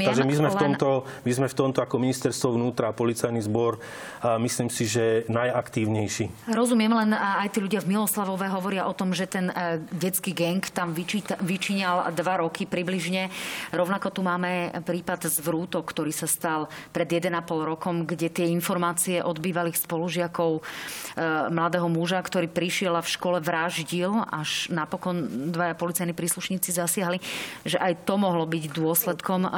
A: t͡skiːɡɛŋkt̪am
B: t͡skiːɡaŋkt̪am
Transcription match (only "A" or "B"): A